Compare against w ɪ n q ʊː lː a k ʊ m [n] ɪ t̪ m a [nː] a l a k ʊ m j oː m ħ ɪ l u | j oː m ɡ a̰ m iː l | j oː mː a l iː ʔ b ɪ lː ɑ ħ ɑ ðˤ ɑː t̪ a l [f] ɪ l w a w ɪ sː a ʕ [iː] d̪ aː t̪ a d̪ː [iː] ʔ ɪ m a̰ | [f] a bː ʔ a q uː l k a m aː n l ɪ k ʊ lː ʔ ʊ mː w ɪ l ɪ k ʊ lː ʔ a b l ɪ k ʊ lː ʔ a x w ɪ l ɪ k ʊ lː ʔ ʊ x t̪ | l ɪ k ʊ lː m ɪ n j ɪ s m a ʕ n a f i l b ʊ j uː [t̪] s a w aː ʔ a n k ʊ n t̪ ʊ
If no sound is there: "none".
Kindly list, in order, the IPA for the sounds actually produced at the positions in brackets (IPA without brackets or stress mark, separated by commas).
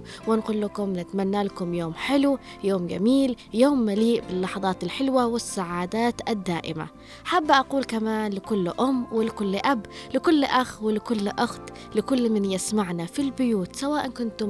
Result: n, nː, ħ, aː, aː, ħ, t̪